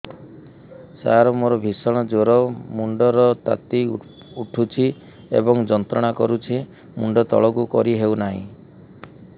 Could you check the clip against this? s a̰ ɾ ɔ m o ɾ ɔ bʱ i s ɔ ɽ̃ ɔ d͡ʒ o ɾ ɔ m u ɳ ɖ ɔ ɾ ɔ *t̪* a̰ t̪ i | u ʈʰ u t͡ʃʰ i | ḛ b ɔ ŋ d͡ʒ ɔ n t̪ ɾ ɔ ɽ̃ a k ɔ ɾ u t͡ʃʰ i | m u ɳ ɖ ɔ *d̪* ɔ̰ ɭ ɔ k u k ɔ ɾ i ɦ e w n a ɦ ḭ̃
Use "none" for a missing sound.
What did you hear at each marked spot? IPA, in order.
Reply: t̪, t̪

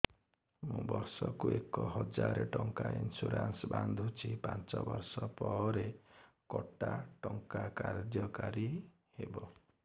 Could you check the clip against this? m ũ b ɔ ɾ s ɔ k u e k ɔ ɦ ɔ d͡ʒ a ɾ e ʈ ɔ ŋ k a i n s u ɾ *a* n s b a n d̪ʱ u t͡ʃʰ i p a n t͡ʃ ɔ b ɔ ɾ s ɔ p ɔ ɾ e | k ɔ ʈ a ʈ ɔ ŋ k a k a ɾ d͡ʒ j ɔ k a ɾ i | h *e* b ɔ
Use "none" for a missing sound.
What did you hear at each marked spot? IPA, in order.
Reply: a, e

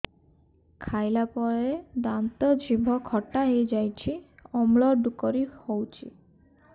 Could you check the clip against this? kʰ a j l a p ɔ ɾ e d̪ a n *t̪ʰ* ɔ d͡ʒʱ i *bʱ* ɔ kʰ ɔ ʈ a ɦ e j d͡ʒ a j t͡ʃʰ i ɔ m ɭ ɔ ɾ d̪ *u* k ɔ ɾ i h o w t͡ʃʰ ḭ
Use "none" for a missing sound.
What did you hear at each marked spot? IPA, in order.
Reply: t̪, bʱ, u

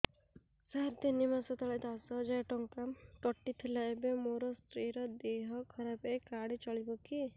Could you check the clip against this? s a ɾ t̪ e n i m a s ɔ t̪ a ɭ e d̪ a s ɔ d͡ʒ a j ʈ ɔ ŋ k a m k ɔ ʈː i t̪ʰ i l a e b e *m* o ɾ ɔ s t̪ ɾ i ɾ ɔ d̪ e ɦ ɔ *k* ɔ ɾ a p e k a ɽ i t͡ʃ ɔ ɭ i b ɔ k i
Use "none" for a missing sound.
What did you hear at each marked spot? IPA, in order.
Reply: m, kʰ

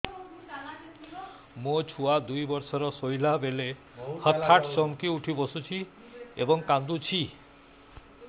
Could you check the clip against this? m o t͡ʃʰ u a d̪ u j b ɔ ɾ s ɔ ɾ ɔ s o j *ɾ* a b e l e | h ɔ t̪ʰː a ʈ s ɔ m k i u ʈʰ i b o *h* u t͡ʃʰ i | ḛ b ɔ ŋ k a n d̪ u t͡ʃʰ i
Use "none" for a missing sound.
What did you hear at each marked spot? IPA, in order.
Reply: l, s

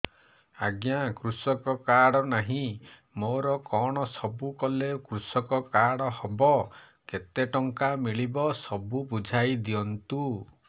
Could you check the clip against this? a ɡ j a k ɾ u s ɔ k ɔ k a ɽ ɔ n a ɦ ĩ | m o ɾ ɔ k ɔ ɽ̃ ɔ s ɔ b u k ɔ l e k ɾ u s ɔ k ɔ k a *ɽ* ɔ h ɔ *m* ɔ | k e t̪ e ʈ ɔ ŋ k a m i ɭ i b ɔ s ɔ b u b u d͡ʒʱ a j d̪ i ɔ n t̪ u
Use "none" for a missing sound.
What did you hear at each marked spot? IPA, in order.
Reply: ɽ, b

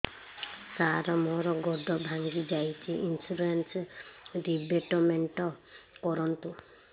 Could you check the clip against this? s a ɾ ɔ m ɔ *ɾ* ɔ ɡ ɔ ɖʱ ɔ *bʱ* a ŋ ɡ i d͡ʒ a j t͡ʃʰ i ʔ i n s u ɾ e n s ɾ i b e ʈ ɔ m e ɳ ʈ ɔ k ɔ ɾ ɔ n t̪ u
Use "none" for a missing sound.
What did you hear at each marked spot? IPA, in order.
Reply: ɾ, bʱ

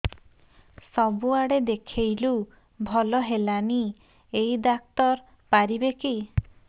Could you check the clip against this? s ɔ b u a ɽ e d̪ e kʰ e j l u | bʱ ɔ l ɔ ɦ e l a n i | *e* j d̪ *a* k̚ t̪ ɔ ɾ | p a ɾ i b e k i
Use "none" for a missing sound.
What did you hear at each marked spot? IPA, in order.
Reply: e, a

